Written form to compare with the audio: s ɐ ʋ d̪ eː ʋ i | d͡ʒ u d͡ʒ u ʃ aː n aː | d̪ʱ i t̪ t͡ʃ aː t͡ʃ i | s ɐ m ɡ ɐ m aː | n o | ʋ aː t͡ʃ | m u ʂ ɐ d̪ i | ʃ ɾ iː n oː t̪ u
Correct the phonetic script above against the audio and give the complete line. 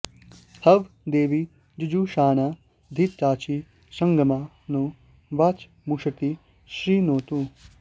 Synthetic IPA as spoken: h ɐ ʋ d̪ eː ʋ i | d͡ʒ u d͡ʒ u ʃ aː n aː | d̪ʱ i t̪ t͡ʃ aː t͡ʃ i | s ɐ ŋ ɡ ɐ m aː | n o | ʋ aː t͡ʃ | m u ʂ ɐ t̪ i | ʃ ɾ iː n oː t̪ u